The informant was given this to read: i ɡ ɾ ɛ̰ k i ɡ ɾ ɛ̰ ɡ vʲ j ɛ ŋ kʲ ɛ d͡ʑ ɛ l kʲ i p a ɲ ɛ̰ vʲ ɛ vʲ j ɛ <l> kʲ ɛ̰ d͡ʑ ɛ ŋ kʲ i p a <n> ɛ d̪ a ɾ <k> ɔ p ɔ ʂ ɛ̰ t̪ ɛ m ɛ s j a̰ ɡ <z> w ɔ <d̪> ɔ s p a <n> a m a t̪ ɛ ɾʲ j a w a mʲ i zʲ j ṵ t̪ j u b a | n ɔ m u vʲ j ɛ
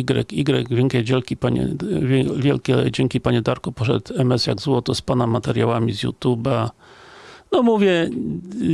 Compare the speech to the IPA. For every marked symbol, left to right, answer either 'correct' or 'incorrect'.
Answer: correct, incorrect: ɲ, correct, correct, incorrect: t̪, correct

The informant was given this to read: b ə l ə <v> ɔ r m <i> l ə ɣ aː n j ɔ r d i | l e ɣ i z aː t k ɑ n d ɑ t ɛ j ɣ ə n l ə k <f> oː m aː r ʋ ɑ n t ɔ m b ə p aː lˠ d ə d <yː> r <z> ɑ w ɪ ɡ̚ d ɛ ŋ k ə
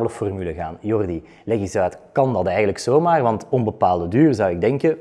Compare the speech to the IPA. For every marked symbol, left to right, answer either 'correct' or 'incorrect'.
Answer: incorrect: f, incorrect: y, incorrect: s, correct, correct

